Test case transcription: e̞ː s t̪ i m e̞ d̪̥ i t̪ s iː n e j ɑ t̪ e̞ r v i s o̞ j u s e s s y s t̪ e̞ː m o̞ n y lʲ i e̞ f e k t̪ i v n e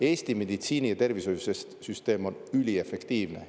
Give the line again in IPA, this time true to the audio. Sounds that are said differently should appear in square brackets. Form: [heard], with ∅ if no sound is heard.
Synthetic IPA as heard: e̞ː s t̪ i m e̞ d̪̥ i t̪ s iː n [i] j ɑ t̪ e̞ r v i s o̞ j u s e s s y s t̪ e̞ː m o̞ n y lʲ i e̞ f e k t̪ [iː] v n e